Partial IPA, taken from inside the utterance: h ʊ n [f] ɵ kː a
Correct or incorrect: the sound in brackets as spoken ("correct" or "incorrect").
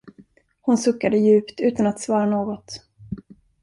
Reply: incorrect